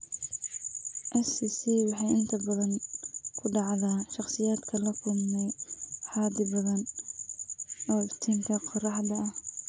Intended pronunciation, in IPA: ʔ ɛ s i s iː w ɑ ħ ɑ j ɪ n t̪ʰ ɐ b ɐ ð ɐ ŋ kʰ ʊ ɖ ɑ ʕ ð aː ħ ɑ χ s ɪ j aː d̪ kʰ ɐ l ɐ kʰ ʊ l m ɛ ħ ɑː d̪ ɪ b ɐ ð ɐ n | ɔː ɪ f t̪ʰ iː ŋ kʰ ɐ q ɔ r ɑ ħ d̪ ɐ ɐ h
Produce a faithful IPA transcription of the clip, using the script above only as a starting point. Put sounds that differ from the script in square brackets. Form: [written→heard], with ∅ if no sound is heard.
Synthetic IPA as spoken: ʔ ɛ s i s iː w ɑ ħ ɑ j ɪ n t̪ʰ ɐ b ɐ ð ɐ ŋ kʰ ʊ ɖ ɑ ʕ ð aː [ħ→ʃ] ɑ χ s ɪ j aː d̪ kʰ ɐ l ɐ kʰ ʊ l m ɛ ħ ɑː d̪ ɪ b ɐ ð ɐ n | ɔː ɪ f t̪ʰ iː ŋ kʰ ɐ q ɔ r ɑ ħ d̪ ɐ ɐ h